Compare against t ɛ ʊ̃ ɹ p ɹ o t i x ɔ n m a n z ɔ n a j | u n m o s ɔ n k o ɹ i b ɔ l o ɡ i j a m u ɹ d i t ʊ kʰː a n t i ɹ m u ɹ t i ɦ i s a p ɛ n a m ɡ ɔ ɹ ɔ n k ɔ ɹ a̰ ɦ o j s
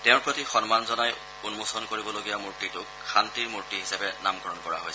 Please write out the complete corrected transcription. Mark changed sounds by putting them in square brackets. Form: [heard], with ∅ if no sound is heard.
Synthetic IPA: t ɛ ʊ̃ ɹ p ɹ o t i x ɔ n m a n z ɔ n a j | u n m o s ɔ n k o ɹ i b ɔ l o ɡ i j a m u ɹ [t] i t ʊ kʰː a n t i ɹ m u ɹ t i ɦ i s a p ɛ n a m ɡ ɔ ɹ ɔ n k ɔ ɹ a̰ ɦ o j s